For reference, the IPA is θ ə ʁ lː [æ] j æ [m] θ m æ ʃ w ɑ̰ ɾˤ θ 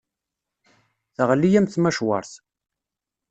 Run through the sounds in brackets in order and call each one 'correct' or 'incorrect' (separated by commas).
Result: incorrect, correct